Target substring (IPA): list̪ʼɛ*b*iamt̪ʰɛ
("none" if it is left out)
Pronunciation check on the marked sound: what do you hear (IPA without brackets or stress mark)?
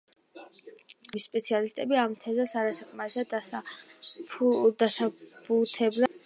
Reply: b